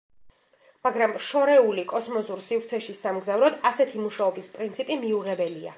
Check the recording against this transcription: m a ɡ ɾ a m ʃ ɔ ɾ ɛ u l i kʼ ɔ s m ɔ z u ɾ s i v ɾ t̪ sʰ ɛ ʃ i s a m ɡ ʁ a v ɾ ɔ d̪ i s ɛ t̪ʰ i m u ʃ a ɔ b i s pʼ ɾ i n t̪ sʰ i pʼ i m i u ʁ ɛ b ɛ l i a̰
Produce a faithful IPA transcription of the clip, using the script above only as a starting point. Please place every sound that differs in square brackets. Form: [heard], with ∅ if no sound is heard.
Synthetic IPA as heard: m a ɡ ɾ a m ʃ ɔ ɾ ɛ u l i kʼ ɔ s m ɔ z u ɾ s i v ɾ t̪ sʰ ɛ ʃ i s a m ɡ [z] a v ɾ ɔ d̪ [a] s ɛ t̪ʰ i m u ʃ a ɔ b i s pʼ ɾ i n t̪ sʰ i pʼ i m i u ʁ ɛ b ɛ l i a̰